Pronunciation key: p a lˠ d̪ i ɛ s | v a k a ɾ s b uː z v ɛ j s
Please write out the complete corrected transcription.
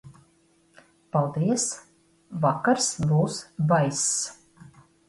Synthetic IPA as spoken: p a lˠ d̪ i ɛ s | v a k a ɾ s b uː s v a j s